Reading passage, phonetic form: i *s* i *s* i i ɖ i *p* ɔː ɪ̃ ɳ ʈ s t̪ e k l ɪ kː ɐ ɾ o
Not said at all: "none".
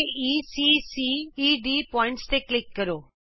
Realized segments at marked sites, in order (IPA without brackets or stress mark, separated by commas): s, s, p